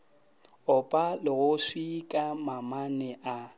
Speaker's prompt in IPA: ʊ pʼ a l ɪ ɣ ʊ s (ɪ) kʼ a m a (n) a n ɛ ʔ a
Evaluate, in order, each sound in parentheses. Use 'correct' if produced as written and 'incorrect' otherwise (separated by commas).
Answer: incorrect, incorrect